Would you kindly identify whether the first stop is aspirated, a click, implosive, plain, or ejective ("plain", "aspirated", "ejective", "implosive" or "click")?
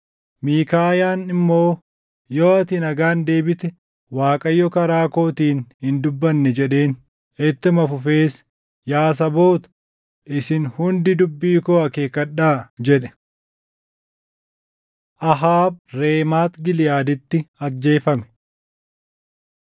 plain